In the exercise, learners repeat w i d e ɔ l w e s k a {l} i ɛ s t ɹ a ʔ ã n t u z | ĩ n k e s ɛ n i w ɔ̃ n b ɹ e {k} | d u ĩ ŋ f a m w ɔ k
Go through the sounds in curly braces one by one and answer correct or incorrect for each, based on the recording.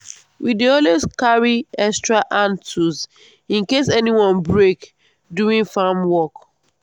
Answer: incorrect, correct

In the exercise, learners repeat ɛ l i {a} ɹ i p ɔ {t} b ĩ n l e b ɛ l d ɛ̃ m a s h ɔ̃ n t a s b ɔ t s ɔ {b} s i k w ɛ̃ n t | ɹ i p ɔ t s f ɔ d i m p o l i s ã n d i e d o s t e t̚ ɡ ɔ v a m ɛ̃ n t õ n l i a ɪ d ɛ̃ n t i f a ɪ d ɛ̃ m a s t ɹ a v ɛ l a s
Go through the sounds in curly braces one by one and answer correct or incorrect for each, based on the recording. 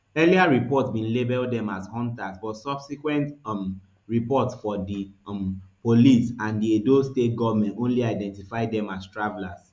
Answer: correct, correct, correct

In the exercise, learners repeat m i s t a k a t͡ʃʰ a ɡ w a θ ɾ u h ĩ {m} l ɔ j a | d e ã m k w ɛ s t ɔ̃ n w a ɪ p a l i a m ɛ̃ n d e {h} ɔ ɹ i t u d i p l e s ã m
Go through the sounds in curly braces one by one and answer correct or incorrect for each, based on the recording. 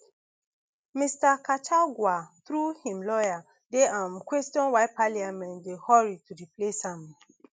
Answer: correct, correct

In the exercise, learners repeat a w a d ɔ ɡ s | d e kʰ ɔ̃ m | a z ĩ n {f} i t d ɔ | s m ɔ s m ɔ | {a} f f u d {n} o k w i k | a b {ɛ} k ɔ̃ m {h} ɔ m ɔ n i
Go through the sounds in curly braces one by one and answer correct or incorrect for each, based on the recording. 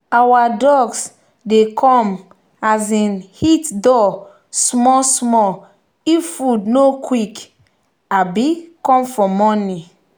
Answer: incorrect, incorrect, correct, incorrect, incorrect

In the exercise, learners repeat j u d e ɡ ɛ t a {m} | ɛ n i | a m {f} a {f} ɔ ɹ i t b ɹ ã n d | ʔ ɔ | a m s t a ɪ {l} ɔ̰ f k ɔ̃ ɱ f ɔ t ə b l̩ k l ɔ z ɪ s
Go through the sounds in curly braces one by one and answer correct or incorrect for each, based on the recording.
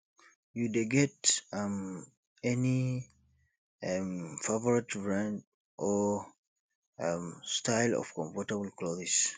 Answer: correct, correct, incorrect, correct

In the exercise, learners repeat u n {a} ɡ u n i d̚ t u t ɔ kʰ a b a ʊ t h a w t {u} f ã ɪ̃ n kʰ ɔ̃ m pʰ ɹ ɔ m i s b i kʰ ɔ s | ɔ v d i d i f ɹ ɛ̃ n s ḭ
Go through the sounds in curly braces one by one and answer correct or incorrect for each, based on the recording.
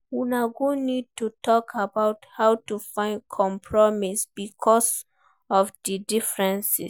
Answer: correct, correct

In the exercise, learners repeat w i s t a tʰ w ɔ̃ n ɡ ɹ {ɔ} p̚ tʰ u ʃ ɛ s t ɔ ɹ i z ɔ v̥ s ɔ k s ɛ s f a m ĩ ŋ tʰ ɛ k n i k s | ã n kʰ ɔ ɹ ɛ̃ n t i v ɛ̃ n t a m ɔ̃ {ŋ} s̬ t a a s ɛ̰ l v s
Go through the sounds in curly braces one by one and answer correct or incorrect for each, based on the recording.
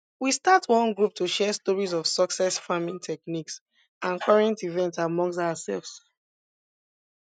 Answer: incorrect, correct

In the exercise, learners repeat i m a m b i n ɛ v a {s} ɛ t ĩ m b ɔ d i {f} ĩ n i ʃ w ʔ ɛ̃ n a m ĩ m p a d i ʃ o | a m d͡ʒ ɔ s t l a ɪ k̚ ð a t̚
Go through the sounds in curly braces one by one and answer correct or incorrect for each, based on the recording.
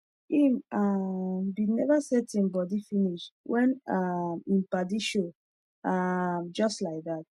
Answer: correct, correct

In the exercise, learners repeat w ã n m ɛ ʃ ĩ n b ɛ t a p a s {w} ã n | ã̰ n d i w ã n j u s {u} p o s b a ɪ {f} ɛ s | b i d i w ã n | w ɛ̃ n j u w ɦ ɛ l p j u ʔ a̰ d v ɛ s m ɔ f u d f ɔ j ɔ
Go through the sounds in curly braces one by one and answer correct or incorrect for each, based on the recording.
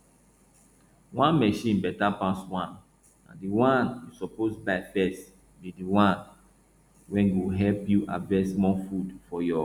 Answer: correct, incorrect, correct

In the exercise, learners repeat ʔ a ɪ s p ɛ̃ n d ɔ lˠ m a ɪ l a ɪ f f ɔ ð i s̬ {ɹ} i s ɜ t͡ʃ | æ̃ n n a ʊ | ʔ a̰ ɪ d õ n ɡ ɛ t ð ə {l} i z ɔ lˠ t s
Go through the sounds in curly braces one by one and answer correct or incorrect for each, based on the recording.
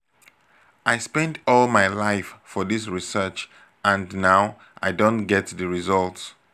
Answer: correct, incorrect

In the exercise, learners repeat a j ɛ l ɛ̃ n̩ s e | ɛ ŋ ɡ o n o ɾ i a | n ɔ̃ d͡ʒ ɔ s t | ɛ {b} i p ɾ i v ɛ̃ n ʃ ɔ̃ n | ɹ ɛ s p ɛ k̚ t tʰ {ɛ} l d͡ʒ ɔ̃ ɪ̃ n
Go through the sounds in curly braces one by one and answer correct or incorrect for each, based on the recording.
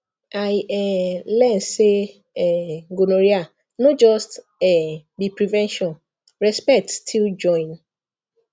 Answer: correct, incorrect

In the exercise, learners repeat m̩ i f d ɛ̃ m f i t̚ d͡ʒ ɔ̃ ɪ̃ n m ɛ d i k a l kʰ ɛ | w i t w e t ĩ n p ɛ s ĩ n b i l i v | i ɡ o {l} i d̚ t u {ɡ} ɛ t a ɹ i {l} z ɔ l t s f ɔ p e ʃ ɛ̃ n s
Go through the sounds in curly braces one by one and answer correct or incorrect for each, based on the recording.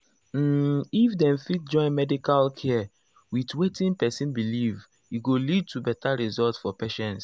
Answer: correct, incorrect, incorrect

